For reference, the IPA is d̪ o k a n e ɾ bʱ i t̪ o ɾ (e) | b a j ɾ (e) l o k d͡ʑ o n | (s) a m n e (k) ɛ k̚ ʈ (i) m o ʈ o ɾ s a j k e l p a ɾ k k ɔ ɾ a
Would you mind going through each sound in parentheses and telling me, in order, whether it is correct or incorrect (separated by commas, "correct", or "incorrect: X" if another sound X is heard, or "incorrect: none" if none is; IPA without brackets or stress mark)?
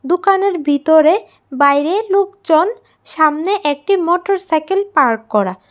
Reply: correct, correct, incorrect: ʃ, incorrect: ʔ, correct